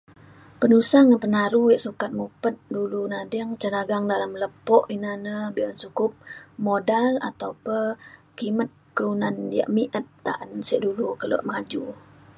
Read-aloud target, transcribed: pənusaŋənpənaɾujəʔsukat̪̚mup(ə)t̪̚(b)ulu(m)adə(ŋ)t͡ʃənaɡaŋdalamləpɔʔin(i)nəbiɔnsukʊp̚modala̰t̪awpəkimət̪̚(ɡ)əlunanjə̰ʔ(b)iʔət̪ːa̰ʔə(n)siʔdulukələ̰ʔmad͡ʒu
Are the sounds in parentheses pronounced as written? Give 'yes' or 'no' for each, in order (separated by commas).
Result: yes, no, no, yes, no, no, no, yes